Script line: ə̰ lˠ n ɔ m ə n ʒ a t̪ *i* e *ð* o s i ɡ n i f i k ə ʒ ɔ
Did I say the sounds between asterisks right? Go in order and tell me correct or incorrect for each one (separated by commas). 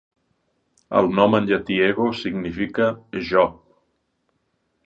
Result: correct, incorrect